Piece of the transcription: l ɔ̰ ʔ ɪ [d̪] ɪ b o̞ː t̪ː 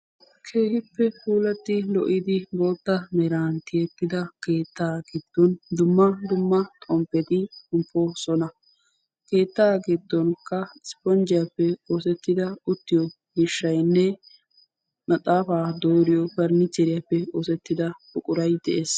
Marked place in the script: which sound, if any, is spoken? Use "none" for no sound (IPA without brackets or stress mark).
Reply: d̪